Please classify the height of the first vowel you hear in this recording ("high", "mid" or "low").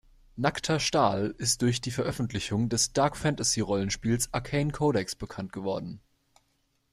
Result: low